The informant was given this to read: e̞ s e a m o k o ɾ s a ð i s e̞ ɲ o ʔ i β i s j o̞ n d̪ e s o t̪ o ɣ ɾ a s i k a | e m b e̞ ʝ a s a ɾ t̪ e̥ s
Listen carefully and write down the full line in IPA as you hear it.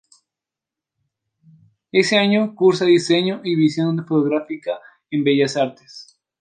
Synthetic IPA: e̞ s e a ɲ o k u ɾ s a ð i s e̞ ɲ o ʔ i β i s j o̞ n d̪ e f o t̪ o ɣ ɾ a f i k a | e m b e̞ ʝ a s a ɾ t̪ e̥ s

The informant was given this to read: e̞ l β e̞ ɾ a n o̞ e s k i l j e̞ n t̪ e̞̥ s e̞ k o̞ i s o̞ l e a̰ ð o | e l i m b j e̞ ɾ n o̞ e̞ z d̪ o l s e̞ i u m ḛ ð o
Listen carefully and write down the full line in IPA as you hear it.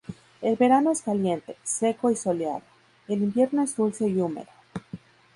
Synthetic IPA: e̞ l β e̞ ɾ a n o̞ e s k a l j e̞ n t̪ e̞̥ s e̞ k o̞ i s o̞ l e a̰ ð o | e l i m b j e̞ ɾ n o̞ e̞ z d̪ u l s e̞ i u m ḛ ð o

